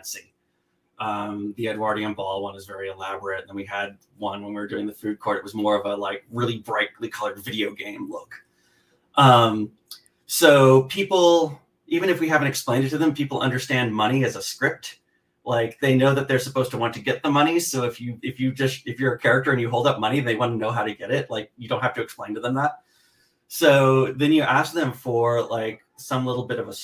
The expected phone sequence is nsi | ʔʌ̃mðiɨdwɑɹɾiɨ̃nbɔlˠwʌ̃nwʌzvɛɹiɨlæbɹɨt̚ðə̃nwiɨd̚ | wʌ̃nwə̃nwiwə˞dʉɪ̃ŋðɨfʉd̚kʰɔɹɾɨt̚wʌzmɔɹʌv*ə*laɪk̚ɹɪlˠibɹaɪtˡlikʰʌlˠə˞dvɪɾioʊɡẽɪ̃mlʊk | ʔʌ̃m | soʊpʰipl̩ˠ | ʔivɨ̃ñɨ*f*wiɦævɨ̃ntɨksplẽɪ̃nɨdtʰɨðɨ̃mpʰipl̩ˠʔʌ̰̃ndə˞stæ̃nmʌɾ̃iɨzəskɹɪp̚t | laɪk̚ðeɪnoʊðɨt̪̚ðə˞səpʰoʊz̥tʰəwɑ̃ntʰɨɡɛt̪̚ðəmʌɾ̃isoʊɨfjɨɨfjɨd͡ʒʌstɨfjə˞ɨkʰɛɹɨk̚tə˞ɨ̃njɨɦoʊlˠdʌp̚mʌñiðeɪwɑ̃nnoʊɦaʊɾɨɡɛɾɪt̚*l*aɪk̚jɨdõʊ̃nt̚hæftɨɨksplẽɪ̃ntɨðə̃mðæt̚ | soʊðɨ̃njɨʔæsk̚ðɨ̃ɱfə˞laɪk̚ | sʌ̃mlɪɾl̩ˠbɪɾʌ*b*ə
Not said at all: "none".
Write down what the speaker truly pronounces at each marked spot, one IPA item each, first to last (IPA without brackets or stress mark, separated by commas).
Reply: ə, f, l, v